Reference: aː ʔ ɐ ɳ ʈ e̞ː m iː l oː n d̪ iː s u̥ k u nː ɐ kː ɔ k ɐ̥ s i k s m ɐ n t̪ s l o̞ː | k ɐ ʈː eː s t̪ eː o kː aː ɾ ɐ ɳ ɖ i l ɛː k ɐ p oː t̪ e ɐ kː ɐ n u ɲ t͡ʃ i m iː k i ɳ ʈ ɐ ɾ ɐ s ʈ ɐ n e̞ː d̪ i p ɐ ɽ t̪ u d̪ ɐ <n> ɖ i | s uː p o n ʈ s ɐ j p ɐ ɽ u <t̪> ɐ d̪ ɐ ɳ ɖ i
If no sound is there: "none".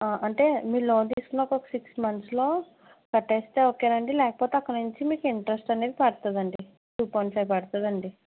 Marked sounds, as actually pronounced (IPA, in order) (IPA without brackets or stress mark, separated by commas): ɳ, t̪